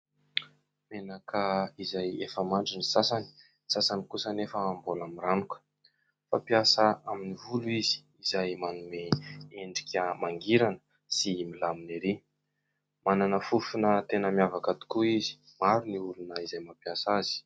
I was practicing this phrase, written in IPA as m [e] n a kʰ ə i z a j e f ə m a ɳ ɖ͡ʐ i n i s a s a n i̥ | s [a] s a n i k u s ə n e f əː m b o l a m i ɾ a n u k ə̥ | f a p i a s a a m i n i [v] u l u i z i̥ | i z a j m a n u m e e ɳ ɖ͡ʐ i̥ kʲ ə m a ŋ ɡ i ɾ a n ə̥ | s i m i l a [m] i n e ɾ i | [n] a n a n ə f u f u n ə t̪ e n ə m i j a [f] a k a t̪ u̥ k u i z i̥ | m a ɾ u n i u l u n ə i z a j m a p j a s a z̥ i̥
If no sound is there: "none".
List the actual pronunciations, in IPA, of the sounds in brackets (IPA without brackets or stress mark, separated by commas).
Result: e, a, v, m, m, v